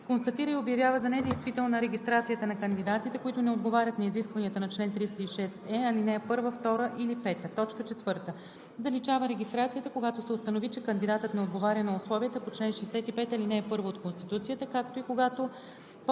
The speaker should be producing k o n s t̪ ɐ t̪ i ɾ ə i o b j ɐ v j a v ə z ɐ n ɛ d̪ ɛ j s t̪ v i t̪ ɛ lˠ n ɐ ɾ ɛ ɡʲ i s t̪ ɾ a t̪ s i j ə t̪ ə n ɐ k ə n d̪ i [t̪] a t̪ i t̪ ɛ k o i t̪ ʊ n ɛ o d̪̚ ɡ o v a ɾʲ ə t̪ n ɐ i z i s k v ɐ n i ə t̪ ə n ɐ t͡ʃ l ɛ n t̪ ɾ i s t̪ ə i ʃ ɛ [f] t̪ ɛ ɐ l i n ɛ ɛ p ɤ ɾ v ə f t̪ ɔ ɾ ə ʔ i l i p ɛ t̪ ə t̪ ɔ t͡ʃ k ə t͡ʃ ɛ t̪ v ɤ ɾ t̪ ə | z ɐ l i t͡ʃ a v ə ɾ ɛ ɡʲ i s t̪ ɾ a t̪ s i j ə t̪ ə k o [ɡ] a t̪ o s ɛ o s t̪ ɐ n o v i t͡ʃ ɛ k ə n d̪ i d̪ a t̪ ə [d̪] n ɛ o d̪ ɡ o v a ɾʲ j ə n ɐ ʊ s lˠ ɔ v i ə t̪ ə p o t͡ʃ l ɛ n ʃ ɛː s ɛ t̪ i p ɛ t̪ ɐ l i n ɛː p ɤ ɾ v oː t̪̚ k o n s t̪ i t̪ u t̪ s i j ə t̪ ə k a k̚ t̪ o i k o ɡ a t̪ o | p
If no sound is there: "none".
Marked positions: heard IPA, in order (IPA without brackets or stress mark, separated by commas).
d̪, s, ɡ, t̪